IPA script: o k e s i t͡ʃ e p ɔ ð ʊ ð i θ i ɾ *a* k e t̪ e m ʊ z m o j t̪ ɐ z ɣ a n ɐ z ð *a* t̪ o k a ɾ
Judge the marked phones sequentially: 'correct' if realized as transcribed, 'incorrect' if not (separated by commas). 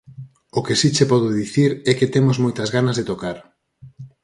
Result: incorrect, incorrect